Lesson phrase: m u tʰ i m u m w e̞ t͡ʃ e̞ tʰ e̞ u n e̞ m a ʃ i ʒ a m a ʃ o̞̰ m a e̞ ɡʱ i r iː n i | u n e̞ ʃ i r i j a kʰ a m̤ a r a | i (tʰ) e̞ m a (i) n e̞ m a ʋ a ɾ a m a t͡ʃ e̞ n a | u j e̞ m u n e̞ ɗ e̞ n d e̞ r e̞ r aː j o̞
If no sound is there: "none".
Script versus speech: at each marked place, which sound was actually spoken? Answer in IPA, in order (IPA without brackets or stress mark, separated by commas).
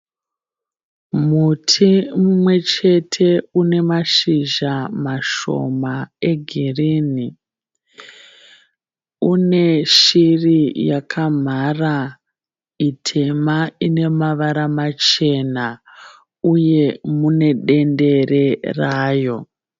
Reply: tʰ, i